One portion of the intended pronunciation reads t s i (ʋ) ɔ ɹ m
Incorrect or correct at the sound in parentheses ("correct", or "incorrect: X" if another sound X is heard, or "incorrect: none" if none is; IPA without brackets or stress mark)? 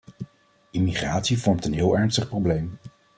incorrect: v